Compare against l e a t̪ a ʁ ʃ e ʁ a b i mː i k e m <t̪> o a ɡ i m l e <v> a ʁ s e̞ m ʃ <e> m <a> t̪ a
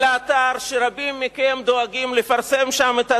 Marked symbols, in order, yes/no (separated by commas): no, no, no, no